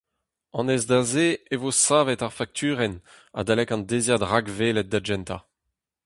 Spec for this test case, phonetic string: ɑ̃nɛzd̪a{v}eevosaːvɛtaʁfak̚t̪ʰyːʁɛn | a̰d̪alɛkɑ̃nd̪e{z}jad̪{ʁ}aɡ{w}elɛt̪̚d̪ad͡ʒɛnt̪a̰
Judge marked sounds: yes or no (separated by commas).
no, yes, yes, no